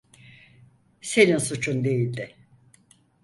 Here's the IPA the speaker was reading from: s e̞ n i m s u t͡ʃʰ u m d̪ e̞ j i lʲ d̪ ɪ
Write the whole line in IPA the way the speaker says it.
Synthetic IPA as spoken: s e̞ n i n s u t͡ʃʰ u n d̪ e̞ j i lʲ d̪ ɪ